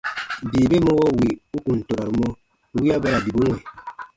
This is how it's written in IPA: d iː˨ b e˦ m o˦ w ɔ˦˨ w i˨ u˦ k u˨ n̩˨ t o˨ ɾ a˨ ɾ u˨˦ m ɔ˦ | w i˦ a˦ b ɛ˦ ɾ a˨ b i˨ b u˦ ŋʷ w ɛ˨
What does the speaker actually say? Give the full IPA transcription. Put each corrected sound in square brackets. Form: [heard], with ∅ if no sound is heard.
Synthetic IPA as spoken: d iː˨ b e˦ m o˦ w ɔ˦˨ w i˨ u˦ k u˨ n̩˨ t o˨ ɾ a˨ ɾ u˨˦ m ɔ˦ | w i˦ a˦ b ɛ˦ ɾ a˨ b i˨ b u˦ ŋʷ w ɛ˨